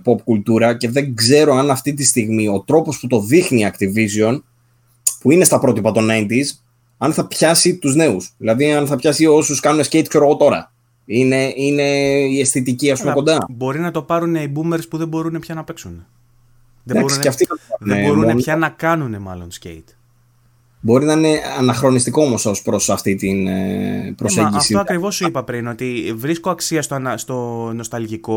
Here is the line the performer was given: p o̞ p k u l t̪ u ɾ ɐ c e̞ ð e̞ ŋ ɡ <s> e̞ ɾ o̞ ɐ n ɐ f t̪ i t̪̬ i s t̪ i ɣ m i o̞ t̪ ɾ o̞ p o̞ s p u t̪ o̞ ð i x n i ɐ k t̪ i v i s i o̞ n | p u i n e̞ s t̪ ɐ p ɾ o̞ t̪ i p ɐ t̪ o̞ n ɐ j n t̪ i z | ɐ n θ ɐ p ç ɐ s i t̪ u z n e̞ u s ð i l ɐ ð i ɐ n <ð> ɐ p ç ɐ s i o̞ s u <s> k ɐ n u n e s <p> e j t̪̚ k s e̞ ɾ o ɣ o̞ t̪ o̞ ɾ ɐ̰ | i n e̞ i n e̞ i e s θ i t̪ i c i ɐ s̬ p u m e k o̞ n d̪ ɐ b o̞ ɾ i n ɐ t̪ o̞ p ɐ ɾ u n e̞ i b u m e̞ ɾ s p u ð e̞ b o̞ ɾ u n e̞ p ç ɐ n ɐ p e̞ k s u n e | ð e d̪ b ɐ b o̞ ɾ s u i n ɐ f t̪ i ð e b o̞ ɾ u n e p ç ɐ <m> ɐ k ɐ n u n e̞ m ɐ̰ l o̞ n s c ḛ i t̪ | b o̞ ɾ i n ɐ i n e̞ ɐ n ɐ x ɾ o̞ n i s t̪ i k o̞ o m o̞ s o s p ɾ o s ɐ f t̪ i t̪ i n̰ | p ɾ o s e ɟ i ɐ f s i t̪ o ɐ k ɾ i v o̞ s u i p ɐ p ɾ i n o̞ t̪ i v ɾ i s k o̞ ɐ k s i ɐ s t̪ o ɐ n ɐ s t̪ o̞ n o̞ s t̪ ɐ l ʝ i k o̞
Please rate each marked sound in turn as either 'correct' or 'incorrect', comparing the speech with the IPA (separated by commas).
incorrect, incorrect, correct, incorrect, incorrect